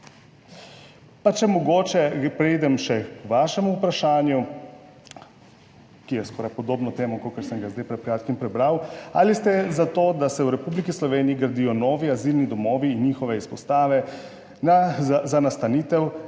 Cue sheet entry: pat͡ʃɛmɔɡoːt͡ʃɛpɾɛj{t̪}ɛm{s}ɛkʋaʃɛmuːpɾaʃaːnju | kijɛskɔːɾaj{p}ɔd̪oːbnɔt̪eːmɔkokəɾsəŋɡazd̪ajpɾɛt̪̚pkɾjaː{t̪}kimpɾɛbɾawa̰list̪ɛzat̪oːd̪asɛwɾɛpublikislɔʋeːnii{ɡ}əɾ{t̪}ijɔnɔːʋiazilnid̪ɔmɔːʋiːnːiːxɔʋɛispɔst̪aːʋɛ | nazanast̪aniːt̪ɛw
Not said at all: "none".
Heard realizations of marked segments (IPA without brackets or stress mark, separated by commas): d̪, ʃ, p, t̪, ɡ, d̪